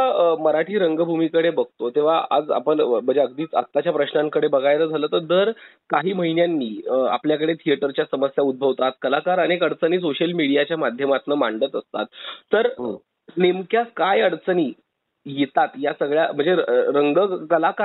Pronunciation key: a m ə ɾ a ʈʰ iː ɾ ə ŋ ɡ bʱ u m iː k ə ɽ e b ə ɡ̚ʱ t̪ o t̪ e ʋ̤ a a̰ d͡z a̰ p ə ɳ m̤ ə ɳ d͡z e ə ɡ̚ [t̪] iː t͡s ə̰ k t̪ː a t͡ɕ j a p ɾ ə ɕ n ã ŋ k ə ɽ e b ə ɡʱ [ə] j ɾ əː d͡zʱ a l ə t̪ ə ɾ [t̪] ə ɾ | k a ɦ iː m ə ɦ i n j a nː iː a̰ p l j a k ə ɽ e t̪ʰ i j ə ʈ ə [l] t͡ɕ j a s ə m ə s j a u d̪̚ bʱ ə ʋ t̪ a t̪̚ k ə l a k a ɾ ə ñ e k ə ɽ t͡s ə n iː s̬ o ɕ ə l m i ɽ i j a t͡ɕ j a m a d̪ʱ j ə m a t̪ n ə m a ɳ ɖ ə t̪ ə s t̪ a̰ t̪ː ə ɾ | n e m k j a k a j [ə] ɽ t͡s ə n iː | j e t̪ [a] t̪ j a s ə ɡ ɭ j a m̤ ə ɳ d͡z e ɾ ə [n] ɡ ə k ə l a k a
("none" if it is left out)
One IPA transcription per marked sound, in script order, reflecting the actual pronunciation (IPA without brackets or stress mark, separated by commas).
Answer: d̪, a, d̪, ɾ, ə, a, ŋ